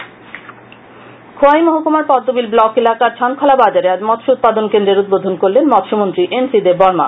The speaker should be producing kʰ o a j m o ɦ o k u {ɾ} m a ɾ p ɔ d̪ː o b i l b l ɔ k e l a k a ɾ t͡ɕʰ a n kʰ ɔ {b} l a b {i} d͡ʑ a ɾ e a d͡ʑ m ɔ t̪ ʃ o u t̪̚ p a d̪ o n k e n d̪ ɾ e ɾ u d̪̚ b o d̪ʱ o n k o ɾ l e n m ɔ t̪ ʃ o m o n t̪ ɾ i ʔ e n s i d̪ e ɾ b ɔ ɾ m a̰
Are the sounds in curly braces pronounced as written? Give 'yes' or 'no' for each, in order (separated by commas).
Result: no, no, no